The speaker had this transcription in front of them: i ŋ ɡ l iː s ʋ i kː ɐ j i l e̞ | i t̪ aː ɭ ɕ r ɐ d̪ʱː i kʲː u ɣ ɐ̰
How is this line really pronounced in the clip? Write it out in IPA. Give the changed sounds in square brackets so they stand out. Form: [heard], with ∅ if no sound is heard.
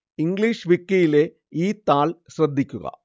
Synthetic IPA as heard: i ŋ ɡ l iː [ʂ] ʋ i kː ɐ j i l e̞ | [iː] t̪ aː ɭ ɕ r ɐ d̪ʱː i kʲː u ɣ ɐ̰